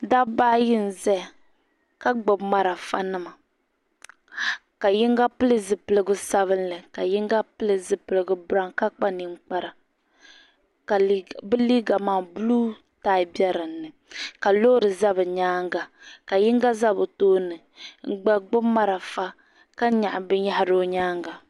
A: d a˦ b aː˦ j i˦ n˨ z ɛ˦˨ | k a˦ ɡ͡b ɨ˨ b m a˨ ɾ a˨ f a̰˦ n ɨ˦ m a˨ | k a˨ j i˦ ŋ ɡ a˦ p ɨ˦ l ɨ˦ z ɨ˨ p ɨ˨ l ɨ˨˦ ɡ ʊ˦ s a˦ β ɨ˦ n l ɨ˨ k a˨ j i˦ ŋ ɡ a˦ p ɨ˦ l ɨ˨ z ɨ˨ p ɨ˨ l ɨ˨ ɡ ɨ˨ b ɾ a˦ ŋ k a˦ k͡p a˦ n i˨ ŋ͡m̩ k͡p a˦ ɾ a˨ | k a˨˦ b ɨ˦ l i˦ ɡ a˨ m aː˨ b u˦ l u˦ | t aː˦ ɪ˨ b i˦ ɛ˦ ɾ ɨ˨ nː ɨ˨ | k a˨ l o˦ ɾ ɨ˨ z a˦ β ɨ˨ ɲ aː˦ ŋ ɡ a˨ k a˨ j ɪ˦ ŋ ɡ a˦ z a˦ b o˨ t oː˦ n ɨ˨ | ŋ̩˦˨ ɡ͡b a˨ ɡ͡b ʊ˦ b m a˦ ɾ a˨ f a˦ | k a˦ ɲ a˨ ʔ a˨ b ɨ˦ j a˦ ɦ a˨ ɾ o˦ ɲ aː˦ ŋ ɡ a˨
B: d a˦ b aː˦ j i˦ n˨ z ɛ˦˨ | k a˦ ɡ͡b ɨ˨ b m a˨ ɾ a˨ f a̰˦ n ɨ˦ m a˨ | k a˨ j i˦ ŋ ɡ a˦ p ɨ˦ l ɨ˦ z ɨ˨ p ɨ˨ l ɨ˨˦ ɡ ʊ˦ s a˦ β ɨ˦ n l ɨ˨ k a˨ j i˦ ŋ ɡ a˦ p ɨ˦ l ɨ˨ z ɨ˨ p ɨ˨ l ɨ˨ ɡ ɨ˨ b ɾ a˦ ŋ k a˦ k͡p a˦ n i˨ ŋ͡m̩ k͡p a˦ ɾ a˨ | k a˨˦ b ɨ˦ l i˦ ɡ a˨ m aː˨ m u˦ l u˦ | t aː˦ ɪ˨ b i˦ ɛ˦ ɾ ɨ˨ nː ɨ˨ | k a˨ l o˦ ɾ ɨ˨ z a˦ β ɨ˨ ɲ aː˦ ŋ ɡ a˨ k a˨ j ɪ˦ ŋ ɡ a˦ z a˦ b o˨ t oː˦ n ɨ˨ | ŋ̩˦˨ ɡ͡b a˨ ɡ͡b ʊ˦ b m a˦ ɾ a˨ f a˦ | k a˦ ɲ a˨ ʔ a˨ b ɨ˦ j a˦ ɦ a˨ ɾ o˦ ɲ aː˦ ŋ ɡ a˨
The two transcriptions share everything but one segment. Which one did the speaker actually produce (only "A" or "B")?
A